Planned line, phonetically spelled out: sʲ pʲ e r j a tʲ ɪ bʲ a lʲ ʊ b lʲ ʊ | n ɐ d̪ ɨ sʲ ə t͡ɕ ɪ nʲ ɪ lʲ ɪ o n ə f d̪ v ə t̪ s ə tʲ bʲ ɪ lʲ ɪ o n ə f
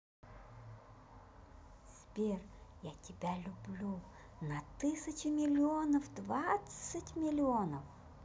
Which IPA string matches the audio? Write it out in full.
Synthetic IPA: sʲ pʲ e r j a tʲ ɪ bʲ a lʲ ʊ b lʲ u | n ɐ t̪ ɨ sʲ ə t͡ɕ ɪ mʲ ɪ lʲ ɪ o n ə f d̪ v a t̪ s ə tʲ mʲ ɪ lʲ ɪ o n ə f